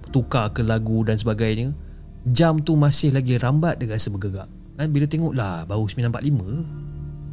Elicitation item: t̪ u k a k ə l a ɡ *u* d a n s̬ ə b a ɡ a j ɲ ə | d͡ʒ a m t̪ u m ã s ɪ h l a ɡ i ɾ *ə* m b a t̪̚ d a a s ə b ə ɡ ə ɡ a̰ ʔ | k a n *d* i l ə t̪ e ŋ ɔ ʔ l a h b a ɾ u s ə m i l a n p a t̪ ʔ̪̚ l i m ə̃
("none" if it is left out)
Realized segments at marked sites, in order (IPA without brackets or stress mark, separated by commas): u, a, b